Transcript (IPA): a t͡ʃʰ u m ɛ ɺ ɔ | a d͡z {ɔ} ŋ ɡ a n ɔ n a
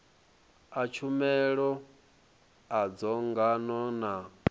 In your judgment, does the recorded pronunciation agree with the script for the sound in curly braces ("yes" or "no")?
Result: yes